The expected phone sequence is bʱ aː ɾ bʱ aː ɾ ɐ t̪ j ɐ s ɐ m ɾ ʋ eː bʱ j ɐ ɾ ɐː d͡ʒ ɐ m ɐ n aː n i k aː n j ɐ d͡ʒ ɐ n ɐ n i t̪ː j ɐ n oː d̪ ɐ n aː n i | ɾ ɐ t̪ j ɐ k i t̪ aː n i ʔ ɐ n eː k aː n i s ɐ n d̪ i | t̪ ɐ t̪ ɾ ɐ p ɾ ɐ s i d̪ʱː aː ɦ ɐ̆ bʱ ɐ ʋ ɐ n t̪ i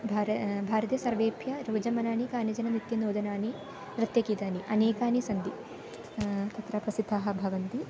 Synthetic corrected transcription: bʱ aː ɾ bʱ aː ɾ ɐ t̪ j ɐ s ɐ ɾ ʋ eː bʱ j ɐ ɾ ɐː d͡ʒ ɐ m ɐ n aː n i k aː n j ɐ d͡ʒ ɐ n ɐ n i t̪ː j ɐ n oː d̪ ɐ n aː n i | ɾ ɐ t̪ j ɐ k i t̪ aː n i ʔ ɐ n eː k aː n i s ɐ n d̪ i | t̪ ɐ t̪ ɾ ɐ p ɾ ɐ s i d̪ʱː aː ɦ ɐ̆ bʱ ɐ ʋ ɐ n t̪ i